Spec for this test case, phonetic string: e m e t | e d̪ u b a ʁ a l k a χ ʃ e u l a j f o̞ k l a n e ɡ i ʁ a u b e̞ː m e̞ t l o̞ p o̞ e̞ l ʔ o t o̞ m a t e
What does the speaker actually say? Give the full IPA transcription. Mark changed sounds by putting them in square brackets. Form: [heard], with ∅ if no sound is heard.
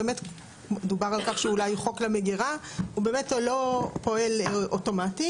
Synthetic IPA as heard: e m e t | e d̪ u b a ʁ a l k a χ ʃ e u l a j [χ] o̞ k l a [m] e ɡ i ʁ a u b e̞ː m e̞ t l o̞ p o̞ e̞ l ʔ o t o̞ m a t [i]